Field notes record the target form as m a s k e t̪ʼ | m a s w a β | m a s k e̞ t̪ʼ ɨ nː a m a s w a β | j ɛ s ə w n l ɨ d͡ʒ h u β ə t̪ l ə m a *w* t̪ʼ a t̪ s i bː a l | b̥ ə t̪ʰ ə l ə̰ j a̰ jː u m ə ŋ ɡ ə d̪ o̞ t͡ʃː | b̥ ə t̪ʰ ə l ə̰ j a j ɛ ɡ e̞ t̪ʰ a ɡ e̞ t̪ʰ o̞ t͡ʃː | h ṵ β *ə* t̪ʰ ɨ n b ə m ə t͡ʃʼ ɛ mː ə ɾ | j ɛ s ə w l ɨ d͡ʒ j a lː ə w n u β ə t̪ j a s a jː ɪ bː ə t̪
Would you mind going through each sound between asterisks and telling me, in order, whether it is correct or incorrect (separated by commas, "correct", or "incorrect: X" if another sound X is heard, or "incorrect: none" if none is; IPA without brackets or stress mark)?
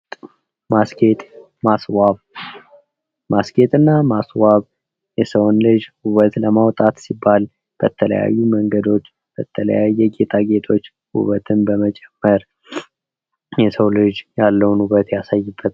correct, correct